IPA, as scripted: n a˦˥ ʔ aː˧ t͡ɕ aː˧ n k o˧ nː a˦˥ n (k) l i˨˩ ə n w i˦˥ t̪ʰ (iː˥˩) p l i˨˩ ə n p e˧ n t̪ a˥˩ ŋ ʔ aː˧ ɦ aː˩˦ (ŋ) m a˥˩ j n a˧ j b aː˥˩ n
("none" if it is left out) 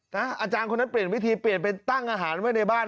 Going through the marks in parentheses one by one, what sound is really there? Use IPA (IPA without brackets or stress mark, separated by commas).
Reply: p, iː˧, n